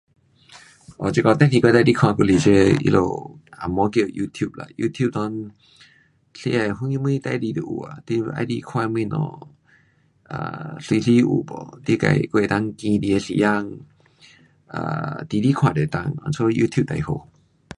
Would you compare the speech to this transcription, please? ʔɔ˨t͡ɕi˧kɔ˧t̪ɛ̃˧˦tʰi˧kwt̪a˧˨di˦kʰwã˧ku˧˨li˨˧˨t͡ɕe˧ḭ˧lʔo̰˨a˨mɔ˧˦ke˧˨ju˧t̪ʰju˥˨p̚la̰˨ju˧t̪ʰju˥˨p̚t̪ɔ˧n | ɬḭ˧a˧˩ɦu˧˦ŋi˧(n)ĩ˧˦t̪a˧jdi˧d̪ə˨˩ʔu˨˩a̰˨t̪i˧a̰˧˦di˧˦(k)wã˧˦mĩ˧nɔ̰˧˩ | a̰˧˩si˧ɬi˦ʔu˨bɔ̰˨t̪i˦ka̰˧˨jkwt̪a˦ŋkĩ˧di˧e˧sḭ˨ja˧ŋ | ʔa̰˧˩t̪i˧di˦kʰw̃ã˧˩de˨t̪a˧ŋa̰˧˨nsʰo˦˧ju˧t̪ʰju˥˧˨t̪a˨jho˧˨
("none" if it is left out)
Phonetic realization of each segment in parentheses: m, kʰ

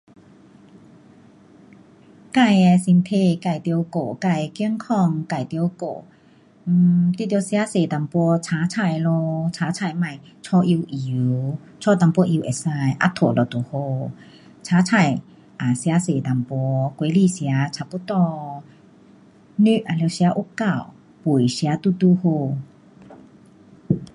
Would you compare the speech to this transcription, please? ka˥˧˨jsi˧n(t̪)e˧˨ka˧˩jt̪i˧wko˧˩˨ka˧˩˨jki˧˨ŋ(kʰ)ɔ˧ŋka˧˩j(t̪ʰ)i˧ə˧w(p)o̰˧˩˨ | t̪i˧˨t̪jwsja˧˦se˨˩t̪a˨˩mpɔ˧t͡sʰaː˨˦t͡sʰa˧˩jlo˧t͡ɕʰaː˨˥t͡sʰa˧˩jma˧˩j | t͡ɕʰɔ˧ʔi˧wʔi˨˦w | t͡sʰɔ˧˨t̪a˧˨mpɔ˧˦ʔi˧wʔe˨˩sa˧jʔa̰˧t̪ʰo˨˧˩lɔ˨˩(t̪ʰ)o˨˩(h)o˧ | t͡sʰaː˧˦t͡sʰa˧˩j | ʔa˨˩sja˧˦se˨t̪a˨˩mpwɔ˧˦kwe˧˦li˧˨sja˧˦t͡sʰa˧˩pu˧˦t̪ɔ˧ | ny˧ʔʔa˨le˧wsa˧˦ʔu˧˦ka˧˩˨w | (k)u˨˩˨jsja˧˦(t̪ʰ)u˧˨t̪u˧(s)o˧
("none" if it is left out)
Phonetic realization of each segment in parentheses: t̪ʰ, kʰ, t̪, k, t̪, h, p, t̪, h

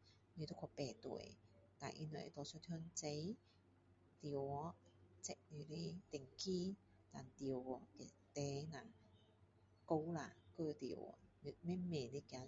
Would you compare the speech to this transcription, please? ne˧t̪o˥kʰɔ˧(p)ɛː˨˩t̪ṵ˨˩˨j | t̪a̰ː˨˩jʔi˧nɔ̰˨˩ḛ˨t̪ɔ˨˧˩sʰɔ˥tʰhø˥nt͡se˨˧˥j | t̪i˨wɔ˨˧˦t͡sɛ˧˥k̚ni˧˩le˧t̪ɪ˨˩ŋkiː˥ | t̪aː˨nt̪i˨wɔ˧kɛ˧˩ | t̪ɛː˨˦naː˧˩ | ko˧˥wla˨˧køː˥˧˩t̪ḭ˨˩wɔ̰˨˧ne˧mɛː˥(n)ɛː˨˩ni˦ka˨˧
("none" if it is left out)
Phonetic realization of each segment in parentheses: p, m

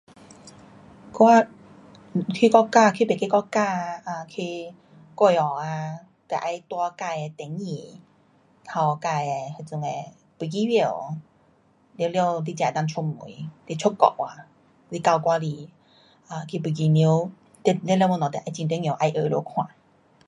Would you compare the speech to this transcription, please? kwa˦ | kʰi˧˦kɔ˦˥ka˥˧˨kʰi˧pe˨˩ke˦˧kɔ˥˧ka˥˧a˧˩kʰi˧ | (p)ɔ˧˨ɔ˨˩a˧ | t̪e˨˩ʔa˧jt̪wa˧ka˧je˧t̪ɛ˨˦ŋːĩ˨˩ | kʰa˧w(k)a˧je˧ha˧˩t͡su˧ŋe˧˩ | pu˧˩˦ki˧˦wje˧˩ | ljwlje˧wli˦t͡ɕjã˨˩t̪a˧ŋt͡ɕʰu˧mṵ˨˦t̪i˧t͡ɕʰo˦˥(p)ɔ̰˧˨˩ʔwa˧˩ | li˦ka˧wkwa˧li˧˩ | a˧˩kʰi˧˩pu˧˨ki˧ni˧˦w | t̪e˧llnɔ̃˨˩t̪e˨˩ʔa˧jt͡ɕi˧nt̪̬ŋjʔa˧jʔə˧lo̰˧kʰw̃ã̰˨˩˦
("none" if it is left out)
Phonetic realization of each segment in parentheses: k, k, k

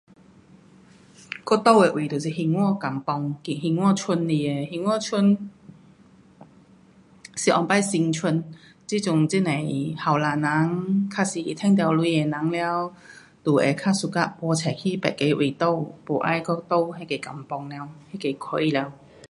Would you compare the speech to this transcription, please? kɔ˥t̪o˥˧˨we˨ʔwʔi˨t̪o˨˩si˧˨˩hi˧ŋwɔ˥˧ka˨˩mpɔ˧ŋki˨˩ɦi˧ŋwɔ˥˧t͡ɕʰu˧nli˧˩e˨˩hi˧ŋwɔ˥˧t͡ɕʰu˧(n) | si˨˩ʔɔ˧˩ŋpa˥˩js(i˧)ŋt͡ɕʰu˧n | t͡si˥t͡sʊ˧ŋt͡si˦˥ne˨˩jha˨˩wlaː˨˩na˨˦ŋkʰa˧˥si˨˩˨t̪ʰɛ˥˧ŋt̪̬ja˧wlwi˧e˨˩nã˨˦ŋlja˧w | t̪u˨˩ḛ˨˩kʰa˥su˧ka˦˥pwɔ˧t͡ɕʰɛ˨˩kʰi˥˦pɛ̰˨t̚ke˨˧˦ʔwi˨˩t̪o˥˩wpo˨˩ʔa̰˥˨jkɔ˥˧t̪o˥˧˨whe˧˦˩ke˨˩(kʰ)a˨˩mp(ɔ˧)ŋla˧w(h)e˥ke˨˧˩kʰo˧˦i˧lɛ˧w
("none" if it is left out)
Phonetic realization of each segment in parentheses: n, i˧, k, ɔ˧, h

